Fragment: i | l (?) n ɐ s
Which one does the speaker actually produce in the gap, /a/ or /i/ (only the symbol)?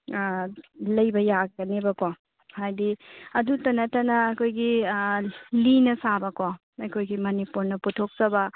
i